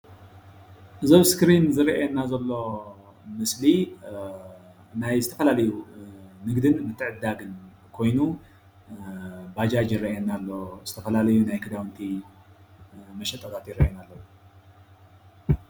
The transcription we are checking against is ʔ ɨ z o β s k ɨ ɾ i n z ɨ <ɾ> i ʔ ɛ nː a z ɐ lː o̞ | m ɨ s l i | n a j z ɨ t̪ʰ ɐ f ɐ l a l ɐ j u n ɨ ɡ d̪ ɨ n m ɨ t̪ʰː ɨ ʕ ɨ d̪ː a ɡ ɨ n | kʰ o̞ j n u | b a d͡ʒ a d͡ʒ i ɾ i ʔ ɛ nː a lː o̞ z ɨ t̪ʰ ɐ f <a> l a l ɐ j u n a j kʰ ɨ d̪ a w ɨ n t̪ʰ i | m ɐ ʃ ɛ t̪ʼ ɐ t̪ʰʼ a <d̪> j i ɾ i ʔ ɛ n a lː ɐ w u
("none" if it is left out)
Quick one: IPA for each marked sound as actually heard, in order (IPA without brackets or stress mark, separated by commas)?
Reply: ɾ, ɐ, t̪